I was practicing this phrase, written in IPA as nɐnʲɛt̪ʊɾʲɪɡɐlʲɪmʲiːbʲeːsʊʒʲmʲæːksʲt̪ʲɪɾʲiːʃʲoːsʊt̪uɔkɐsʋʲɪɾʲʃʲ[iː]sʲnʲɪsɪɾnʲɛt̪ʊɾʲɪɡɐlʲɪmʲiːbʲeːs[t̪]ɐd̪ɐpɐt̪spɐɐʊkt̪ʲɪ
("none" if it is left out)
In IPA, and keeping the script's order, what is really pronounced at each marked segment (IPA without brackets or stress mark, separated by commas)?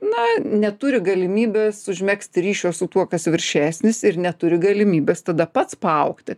æː, t̪